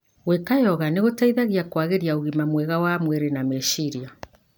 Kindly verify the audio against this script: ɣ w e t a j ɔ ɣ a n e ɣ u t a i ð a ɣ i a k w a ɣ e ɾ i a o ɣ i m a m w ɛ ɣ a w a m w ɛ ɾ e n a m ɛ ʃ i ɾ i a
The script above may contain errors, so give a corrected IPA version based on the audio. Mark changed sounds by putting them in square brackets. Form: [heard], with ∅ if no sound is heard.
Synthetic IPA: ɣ w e [k] a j ɔ ɣ a n e ɣ [o] t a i ð a ɣ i a k w a ɣ e ɾ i a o ɣ i m a m w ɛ ɣ a w a m w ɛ ɾ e n a m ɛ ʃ i ɾ i a

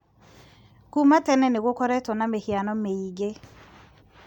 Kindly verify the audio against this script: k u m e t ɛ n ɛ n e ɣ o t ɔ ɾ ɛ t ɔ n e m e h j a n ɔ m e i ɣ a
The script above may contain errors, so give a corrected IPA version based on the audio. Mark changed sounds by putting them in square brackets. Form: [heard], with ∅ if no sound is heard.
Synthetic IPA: k u m [a] t ɛ n ɛ n e ɣ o [k] ɔ ɾ ɛ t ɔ n [a] m e h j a n ɔ m e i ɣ [e]

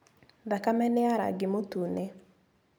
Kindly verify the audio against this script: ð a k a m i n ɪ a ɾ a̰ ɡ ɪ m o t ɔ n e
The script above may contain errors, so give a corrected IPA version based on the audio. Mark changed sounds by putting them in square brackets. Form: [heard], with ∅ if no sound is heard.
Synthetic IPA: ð a k a m [ɛ] n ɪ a ɾ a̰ ɡ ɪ m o t [u] n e

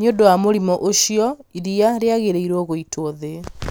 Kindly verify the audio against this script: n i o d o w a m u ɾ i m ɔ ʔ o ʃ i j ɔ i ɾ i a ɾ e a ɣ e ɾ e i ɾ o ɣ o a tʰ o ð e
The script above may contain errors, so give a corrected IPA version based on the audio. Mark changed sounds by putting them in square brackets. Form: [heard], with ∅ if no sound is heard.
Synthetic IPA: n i o d o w a m [o] ɾ i m ɔ ʔ o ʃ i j ɔ i ɾ i a ɾ e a ɣ e ɾ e i ɾ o ɣ o [i] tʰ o ð e

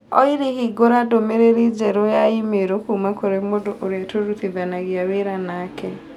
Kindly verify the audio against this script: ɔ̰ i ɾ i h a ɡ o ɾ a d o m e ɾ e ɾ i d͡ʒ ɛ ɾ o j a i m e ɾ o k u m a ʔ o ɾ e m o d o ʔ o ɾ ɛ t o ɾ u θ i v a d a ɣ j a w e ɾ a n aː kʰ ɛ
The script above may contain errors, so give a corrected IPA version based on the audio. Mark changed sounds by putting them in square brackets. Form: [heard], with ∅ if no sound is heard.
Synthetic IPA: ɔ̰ i ɾ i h [i] ɡ o ɾ a d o m e ɾ e ɾ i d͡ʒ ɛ ɾ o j a i m e ɾ o k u m a [k] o ɾ e m o d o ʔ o ɾ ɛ t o ɾ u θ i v a [n] a ɣ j a w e ɾ a n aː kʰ ɛ

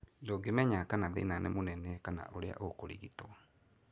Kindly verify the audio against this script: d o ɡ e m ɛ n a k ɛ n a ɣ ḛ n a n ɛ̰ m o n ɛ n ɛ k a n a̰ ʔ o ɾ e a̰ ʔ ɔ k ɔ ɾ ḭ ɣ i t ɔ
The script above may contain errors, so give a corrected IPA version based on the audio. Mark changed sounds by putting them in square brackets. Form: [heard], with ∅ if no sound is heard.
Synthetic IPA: d o ɡ e m ɛ [ɲ] a k [a] n a [ð] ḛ n a n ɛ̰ m o n ɛ n ɛ k a n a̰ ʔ o ɾ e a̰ ʔ [o] k [o] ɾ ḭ ɣ i t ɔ

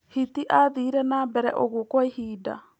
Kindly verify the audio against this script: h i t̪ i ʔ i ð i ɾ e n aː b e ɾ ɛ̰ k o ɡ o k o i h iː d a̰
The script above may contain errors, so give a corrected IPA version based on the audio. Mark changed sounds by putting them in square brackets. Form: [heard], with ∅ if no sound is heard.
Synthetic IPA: h i t̪ i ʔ [a] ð i ɾ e n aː b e ɾ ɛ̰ [ʔ] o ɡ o k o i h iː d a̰

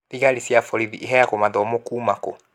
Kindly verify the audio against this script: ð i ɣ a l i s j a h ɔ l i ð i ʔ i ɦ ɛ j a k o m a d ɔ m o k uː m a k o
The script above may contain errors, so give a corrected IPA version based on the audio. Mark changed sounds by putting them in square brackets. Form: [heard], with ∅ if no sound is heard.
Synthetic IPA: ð i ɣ a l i s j a [f] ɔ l i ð i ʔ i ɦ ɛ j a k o m a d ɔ m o k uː m a k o

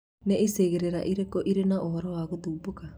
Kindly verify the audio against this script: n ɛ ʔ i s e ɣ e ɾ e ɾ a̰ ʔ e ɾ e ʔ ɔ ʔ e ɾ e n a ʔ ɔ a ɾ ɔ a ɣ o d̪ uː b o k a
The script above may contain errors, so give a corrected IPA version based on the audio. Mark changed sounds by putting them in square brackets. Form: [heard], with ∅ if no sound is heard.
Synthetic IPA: n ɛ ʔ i s e ɣ e ɾ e ɾ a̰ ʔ [i] ɾ e [k] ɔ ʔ [i] ɾ e n a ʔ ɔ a ɾ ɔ a ɣ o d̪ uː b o k a

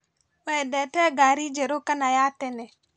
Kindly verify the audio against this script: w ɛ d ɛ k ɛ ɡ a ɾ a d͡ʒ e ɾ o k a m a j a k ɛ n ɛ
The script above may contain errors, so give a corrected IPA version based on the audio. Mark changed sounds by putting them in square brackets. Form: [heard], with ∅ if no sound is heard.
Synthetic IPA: w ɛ d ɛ [t] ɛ ɡ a ɾ [i] d͡ʒ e ɾ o k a [n] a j a [t] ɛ n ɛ

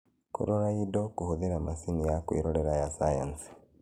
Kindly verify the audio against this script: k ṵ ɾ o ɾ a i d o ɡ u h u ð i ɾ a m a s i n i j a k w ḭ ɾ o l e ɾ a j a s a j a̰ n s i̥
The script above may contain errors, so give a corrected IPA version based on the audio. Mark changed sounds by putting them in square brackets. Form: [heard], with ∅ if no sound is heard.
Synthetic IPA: k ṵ ɾ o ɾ a i d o [k] u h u ð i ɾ a m a s i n i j a k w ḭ ɾ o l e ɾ a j a s a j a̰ n s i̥

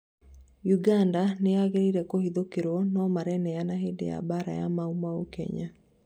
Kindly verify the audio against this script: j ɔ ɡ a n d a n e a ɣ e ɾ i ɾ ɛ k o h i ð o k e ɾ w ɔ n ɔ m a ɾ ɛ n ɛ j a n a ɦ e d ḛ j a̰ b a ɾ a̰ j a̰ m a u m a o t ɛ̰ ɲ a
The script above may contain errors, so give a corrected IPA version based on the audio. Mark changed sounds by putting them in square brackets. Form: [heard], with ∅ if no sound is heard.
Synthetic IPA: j [u] ɡ a n d a n e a ɣ e ɾ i ɾ ɛ k o h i ð o k e ɾ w ɔ n ɔ m a ɾ ɛ n ɛ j a n a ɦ e d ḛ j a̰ b a ɾ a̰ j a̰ m a u m a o [k] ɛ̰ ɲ a

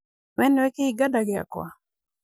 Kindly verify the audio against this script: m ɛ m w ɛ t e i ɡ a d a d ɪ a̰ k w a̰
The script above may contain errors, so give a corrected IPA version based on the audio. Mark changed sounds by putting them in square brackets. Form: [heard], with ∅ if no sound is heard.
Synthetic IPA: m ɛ [n] w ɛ [k] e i ɡ a d a [ɡ] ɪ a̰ k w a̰

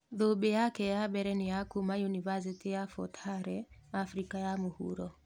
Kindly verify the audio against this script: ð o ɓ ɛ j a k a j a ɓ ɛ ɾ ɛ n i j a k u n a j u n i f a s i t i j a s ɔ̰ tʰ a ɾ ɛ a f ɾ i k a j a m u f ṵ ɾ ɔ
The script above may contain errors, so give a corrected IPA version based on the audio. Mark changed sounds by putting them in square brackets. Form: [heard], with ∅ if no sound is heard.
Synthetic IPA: ð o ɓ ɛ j a k [ɛ] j a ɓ ɛ ɾ ɛ n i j a k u [m] a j u n i [v] a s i t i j a [f] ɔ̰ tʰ a ɾ ɛ a f ɾ i k a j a m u [h] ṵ ɾ ɔ

